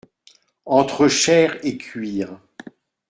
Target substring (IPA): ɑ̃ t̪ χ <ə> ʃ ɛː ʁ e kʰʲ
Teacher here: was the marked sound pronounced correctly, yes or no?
yes